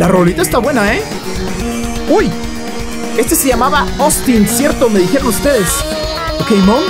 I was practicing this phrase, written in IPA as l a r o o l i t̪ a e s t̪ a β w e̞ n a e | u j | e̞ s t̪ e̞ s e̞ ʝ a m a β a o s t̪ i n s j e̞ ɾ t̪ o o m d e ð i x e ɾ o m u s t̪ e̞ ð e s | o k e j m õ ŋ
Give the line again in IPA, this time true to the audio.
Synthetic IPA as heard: l a r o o l i t̪ a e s t̪ a β w e̞ n a e | u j | e̞ s t̪ e̞ s e̞ ʝ a m a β a o s t̪ i n s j e̞ ɾ t̪ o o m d e ð i x e ɾ o n u s t̪ e̞ ð e s | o k e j m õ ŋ

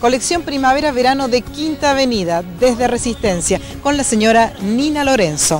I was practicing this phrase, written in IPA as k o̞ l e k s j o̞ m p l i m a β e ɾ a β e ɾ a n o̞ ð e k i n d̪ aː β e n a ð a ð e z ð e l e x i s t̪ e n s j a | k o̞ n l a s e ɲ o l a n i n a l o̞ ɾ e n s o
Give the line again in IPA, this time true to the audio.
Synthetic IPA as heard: k o̞ l e k s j o̞ m p ɾ i m a β e ɾ a β e ɾ a n o̞ ð e k i n t̪ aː β e n i ð a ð e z ð e r e s i s t̪ e n s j a | k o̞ n l a s e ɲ o ɾ a n i n a l o̞ ɾ e n s o

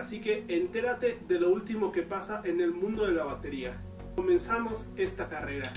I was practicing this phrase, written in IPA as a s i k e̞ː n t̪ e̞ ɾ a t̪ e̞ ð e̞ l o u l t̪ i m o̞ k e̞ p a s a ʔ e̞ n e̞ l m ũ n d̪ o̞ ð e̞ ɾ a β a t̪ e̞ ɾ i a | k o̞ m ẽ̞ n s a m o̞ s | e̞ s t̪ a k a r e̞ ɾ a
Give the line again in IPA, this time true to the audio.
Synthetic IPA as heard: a s i k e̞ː n t̪ e̞ ɾ a t̪ e̞ ð e̞ l o u l t̪ i m o̞ k e̞ p a s a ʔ e̞ n e̞ l m ũ n d̪ o̞ ð e̞ l a β a t̪ e̞ ɾ i a | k o̞ m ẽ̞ n s a m o̞ s | e̞ s t̪ a k a r e̞ ɾ a

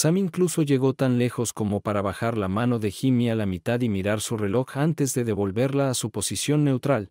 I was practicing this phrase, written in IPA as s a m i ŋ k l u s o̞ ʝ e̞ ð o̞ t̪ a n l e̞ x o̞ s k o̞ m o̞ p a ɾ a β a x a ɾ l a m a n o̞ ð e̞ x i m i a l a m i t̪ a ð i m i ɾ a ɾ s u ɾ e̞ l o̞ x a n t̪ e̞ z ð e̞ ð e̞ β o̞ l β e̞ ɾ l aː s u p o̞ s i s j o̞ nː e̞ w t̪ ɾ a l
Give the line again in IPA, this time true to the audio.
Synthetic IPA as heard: s a m i ŋ k l u s o̞ ʝ e̞ ɣ o̞ t̪ a n l e̞ x o̞ s k o̞ m o̞ p a ɾ a β a x a ɾ l a m a n o̞ ð e̞ x i m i a l a m i t̪ a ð i m i ɾ a ɾ s u r e̞ l o̞ x a n t̪ e̞ z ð e̞ ð e̞ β o̞ l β e̞ ɾ l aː s u p o̞ s i s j o̞ nː e̞ w t̪ ɾ a l

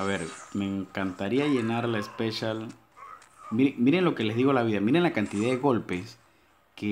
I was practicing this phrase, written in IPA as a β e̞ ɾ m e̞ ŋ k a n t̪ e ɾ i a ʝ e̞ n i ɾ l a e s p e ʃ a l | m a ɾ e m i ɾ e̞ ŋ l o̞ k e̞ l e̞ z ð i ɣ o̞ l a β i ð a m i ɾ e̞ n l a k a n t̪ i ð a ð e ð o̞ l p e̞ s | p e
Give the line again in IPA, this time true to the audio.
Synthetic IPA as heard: a β e̞ ɾ m e̞ ŋ k a n t̪ a ɾ i a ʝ e̞ n a ɾ l a e s p e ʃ a l | m i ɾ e m i ɾ e̞ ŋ l o̞ k e̞ l e̞ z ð i ɣ o̞ l a β i ð a m i ɾ e̞ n l a k a n t̪ i ð a ð e ɣ o̞ l p e̞ s | k e

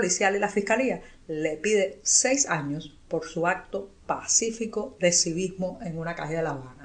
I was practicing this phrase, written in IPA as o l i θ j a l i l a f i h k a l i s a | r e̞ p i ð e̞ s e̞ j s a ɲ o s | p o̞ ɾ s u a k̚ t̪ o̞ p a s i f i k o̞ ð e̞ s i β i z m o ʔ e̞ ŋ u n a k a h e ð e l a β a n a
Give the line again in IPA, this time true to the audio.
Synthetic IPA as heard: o l i s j a l i l a f i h k a l i a | l e̞ p i ð e̞ s e̞ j s a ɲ o s | p o̞ ɾ s u a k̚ t̪ o̞ p a s i f i k o̞ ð e̞ s i β i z m o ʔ e̞ ŋ u n a k a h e ð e l a β a n a

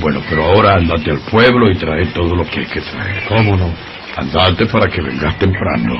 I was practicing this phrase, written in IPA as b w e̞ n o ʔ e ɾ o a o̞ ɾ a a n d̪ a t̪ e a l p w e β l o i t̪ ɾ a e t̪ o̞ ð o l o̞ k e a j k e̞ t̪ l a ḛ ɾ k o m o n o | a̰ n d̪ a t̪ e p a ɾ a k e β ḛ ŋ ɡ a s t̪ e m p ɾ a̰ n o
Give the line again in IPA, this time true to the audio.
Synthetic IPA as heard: b w e̞ n o p e ɾ o a o̞ ɾ a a n d̪ a t̪ e a l p w e β l o i t̪ ɾ a e t̪ o̞ ð o l o̞ k e a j k e̞ t̪ ɾ a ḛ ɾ k o m o n o | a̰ n d̪ a t̪ e p a ɾ a k e β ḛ ŋ ɡ a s t̪ e m p ɾ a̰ n o

